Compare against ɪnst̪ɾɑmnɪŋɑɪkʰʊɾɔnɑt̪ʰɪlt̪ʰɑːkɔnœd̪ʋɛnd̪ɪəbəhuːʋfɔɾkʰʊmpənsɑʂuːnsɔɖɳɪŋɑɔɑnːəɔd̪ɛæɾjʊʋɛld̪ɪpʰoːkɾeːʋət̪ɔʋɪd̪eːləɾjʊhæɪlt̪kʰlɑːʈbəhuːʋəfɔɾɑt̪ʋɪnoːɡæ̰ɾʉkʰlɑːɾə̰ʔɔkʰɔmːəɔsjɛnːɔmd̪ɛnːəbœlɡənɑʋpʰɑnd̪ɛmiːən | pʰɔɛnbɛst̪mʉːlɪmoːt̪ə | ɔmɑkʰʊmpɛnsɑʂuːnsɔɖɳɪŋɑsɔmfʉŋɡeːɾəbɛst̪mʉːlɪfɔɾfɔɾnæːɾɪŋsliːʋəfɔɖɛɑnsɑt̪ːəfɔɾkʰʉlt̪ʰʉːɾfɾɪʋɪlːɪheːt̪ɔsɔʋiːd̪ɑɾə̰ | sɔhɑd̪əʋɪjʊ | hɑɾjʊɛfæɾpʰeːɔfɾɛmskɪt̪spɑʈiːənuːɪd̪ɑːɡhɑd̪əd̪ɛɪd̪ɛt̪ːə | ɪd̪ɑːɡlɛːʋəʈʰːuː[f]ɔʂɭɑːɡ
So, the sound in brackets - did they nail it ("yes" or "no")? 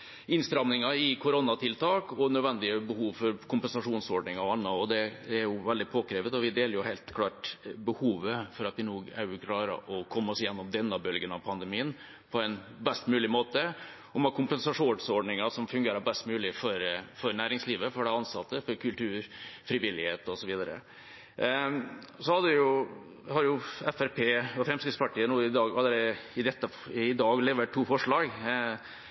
yes